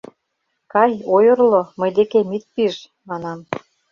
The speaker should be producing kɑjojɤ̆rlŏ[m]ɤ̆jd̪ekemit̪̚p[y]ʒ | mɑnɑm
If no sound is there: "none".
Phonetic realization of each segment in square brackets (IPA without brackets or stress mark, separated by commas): m, i